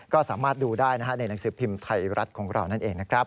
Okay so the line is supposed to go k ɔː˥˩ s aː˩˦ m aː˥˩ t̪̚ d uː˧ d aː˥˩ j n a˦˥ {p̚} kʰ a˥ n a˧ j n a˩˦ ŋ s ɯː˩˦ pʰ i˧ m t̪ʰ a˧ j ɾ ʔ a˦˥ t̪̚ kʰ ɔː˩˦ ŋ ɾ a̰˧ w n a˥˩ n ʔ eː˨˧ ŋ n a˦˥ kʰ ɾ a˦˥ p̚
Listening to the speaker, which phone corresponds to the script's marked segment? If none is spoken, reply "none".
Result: none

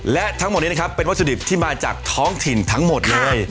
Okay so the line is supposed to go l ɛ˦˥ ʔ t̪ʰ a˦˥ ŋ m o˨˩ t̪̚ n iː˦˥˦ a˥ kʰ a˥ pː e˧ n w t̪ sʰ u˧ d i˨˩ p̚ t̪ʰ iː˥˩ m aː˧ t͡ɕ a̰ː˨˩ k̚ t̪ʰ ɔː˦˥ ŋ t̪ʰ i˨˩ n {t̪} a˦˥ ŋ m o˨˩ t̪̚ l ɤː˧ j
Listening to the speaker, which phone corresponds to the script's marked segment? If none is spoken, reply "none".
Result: t̪ʰ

